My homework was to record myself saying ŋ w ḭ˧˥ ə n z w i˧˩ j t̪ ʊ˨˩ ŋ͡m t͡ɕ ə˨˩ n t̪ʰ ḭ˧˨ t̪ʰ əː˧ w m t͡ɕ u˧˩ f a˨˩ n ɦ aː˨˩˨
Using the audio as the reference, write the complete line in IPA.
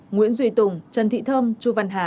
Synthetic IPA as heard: ŋ w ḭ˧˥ ə n z w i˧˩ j t̪ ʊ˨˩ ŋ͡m t͡ɕ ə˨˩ n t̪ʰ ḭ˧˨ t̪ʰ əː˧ m t͡ɕ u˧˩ v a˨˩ n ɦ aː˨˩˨